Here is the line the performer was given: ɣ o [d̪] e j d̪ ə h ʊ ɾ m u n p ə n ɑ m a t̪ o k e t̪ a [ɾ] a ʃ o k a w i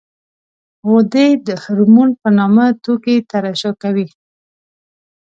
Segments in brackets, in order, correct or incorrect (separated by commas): correct, correct